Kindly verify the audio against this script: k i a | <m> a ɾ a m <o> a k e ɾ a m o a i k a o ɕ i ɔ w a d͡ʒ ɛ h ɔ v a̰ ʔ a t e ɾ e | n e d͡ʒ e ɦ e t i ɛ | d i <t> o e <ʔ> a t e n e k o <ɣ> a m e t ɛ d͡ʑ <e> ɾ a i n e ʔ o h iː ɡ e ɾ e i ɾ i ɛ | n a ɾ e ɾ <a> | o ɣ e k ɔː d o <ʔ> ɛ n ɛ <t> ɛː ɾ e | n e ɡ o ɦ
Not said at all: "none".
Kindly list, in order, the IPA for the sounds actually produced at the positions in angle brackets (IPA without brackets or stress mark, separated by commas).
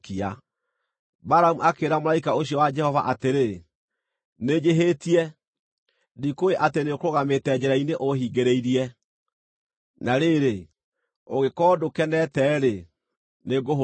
b, u, k, ʔ, ɣ, ɛ, e, k, t